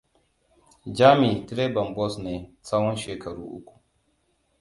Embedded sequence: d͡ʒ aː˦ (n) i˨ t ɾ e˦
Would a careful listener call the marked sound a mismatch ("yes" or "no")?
yes